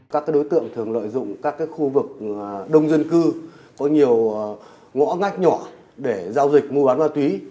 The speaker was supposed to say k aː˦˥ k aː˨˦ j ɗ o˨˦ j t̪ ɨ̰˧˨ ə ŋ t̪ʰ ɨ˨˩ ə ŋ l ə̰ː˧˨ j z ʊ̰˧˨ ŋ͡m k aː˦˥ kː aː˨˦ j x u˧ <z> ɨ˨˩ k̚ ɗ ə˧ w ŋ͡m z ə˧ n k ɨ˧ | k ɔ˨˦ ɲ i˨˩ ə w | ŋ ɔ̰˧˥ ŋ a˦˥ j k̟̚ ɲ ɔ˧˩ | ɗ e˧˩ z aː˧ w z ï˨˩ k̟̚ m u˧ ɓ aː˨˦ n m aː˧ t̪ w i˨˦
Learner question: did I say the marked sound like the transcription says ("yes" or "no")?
no